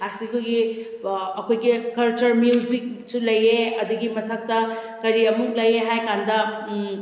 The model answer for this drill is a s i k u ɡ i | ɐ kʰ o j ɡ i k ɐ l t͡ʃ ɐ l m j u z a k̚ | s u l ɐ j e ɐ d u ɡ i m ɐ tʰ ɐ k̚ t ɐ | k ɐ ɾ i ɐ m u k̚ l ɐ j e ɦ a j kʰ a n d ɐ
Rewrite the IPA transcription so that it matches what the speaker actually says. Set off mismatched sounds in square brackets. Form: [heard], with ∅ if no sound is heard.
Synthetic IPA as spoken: a s i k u ɡ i | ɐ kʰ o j ɡ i k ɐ l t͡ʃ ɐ [ɾ] m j u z [i] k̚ | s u l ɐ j e ɐ d u ɡ i m ɐ tʰ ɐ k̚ t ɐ | k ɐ ɾ i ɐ m u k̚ l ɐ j e ɦ a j [k] a n d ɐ